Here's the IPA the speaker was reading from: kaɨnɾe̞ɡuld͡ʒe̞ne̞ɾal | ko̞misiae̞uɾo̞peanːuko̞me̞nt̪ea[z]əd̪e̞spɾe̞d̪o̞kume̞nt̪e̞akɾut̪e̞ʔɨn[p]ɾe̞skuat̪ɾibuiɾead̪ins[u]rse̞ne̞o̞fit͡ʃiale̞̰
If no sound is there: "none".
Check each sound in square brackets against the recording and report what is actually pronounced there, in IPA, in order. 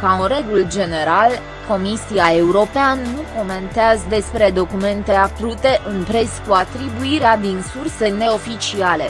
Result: z, p, u

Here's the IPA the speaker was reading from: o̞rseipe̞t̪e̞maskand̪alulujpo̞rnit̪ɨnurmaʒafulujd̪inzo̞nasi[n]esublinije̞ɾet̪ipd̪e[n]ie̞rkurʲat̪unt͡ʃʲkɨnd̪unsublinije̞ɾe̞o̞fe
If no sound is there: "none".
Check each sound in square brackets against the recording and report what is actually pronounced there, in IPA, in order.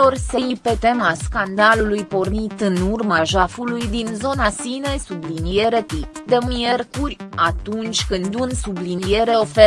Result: n, m

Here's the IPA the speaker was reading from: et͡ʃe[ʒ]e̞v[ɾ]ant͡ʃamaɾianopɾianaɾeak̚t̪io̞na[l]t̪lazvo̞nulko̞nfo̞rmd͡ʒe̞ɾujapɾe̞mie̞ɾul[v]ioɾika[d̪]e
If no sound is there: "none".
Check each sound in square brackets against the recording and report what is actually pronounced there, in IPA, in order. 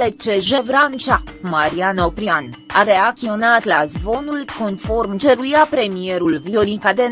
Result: ʒ, ɾ, none, v, d̪

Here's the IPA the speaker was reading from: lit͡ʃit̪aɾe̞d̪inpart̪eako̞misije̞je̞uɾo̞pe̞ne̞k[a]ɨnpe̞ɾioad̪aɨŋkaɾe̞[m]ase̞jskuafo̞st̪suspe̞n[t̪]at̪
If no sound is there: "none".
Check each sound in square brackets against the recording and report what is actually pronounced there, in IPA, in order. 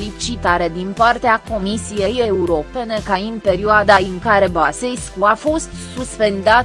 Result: a, b, d̪

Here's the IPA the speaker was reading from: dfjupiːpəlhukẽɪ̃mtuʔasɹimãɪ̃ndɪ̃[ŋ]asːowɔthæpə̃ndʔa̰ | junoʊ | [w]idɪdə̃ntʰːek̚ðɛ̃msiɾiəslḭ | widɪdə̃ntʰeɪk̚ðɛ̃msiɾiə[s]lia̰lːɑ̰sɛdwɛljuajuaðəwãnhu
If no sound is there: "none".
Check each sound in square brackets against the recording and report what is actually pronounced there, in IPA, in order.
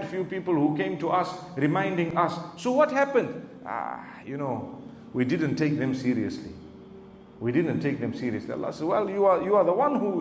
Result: ŋ, w, s

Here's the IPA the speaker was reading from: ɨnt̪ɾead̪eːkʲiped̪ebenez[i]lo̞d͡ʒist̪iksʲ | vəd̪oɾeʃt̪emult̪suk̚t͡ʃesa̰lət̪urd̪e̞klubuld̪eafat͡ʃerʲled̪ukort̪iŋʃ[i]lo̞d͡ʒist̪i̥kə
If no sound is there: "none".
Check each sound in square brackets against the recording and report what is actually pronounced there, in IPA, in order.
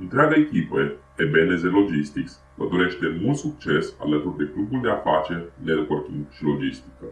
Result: e, i

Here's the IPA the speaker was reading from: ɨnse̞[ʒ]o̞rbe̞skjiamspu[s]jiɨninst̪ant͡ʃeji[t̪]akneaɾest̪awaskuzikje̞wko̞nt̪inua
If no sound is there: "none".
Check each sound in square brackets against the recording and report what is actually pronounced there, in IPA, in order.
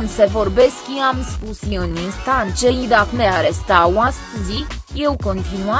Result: v, s, d̪

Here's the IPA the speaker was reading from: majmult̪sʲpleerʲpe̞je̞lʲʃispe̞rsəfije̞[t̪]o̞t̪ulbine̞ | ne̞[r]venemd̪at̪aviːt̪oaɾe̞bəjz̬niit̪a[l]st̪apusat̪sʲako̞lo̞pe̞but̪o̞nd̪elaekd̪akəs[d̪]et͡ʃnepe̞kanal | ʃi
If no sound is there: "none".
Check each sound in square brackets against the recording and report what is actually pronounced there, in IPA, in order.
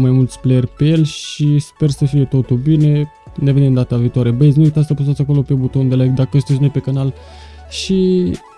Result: t̪, none, none, t̪

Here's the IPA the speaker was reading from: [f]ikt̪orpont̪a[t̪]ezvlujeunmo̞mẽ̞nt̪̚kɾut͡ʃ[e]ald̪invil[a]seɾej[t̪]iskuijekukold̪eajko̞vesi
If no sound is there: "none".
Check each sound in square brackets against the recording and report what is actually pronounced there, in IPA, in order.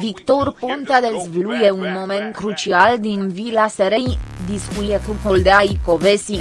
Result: v, d̪, i, a, d̪

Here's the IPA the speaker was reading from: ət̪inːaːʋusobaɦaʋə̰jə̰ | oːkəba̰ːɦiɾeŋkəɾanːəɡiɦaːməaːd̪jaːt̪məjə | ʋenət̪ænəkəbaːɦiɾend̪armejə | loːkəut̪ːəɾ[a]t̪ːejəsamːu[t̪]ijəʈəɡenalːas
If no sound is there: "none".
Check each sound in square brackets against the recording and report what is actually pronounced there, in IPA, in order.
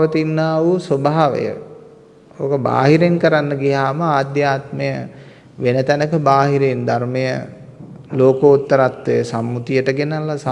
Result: a, t̪

